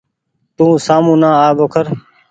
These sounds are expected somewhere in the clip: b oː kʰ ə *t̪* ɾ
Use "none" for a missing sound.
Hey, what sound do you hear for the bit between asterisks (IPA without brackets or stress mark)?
none